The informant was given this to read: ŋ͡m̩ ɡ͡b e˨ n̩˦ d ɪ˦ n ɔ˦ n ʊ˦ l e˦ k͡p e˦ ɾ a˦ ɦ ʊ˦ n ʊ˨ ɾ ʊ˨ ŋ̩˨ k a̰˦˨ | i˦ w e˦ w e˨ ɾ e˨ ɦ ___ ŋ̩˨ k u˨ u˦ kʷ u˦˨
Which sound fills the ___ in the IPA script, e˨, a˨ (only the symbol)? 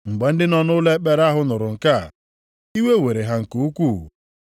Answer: a˨